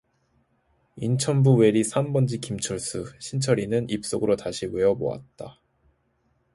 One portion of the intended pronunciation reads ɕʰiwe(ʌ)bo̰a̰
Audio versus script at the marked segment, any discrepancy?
no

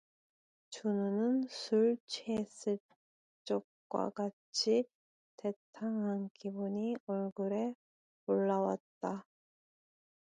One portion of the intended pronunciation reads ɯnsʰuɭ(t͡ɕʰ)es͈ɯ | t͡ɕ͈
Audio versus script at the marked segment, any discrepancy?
no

